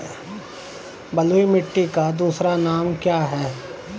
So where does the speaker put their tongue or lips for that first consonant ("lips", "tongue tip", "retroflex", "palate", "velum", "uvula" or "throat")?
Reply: lips